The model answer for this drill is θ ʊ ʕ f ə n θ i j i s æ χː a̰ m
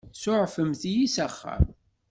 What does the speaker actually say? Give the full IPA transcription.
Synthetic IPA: s ʊ ʕ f ə m θ i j i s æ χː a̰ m